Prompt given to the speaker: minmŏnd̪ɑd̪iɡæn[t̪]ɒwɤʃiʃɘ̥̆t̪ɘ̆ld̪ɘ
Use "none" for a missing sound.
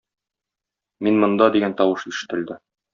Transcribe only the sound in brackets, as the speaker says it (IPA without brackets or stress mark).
t̪